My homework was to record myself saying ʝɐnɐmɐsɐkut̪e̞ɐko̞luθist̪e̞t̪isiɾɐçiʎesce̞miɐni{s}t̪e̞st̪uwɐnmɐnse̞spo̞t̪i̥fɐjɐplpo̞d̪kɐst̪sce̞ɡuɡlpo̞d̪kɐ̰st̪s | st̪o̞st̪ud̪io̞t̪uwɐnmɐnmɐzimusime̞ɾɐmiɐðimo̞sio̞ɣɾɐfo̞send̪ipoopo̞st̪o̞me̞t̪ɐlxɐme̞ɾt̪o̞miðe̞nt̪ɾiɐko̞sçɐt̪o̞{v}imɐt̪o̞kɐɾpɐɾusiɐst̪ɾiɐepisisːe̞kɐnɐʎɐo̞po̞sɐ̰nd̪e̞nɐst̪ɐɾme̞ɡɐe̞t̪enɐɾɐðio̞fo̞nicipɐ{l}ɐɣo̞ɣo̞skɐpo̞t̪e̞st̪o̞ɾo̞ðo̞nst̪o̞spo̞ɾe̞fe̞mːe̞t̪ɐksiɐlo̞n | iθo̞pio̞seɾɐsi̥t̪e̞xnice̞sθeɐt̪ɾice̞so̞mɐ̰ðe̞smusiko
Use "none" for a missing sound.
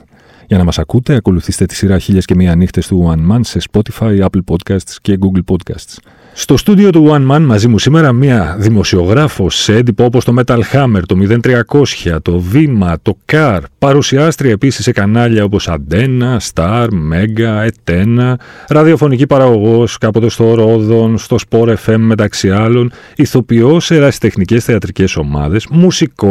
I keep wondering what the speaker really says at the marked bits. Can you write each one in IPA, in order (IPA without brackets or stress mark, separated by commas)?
x, v, ɾ